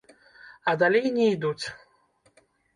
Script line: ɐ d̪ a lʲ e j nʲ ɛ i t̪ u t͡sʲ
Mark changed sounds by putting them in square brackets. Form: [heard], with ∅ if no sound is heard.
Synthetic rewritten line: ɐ d̪ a lʲ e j nʲ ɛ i [d̪] u t͡sʲ